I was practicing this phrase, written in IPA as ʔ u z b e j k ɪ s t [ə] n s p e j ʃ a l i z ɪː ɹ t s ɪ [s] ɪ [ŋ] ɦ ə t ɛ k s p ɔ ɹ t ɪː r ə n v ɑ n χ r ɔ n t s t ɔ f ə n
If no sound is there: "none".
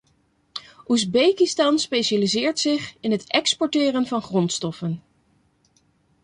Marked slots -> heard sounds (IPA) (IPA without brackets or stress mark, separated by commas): ɑ, χ, n